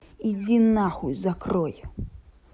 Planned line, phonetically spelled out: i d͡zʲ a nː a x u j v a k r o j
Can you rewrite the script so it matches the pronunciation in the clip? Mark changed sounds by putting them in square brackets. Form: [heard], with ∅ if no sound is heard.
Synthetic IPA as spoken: i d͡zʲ [i] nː a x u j [z] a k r [ɔ] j

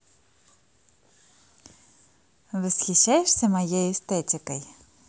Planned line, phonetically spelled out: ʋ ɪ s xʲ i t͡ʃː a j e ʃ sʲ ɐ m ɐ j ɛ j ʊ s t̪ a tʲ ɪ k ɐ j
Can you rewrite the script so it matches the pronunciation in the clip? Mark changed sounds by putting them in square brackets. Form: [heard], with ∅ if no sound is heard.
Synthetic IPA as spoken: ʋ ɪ s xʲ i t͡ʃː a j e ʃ sʲ ɐ m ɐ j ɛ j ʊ s t̪ [ɛ] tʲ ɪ k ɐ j

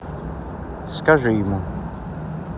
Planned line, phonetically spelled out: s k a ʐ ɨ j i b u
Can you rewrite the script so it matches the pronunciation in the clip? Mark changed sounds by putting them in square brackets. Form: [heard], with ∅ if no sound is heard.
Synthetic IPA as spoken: s k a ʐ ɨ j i [m] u

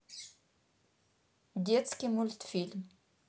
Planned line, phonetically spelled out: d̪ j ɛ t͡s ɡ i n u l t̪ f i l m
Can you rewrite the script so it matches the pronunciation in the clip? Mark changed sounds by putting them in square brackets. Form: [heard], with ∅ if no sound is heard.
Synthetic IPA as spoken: d̪ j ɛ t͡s [k] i [m] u l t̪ f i l m

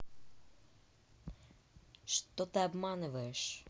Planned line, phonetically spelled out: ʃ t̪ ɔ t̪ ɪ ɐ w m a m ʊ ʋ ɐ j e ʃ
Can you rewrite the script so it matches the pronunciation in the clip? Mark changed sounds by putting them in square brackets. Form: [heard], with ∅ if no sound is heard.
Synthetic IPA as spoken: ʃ t̪ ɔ t̪ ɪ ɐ [b] m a [n] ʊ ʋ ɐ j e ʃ

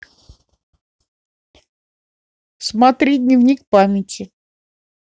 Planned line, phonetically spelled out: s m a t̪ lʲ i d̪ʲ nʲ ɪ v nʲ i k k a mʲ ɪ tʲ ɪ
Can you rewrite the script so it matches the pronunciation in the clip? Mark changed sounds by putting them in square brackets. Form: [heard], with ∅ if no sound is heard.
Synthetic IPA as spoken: s m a t̪ [ɾʲ] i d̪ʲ nʲ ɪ v nʲ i k [p] a mʲ ɪ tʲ ɪ

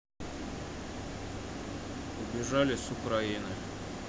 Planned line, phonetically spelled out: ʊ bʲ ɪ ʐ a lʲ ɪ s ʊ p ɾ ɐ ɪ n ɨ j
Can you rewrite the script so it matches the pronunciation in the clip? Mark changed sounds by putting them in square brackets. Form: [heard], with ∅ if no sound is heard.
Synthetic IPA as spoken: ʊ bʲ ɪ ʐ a lʲ ɪ s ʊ [k] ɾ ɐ [i] n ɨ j

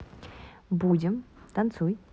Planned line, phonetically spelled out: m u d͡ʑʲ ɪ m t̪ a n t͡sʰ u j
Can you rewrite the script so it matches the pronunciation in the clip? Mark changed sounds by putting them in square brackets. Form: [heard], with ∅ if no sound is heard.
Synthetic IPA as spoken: [b] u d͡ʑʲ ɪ m t̪ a n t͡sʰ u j

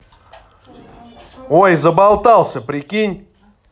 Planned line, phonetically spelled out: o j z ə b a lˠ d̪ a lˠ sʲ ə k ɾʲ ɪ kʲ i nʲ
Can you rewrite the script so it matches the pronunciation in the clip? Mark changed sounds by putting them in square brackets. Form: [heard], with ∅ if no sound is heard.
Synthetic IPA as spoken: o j z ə b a lˠ [t̪] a lˠ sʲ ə [p] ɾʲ ɪ kʲ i nʲ

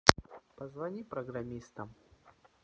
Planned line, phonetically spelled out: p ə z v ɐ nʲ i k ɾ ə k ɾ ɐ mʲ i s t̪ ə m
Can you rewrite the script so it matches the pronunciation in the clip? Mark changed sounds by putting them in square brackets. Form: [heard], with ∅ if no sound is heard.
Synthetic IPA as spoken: p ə z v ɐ nʲ i [p] ɾ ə [ɡ] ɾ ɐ mʲ i s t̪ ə m

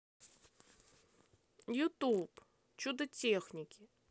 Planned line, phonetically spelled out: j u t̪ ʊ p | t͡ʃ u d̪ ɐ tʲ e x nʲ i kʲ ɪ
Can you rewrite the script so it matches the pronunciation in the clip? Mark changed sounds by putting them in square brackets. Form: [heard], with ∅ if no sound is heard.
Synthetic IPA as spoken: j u t̪ [u] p | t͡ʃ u d̪ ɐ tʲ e x nʲ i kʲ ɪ

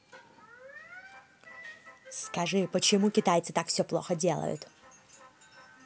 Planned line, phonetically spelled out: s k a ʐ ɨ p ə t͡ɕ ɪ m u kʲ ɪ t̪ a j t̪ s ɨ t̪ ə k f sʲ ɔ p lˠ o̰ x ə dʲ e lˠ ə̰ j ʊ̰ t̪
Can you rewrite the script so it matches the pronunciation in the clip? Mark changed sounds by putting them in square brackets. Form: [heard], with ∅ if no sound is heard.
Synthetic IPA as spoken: s k [ɐ] ʐ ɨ p ə t͡ɕ ɪ m u kʲ ɪ t̪ a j t̪ s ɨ t̪ [a] k f sʲ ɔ p lˠ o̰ x ə dʲ e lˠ ə̰ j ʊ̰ t̪

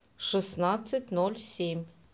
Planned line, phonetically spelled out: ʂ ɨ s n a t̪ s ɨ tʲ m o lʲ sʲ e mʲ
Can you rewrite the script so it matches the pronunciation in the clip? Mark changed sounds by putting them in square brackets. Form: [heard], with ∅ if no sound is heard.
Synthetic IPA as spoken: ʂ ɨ s n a t̪ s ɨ tʲ [n] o lʲ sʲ e mʲ

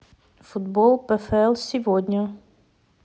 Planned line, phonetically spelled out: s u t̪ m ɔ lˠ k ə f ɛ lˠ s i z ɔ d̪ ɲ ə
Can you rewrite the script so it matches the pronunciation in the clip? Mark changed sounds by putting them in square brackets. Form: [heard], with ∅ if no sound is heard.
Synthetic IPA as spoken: [f] u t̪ [b] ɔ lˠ [p] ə f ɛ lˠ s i [v] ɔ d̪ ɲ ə

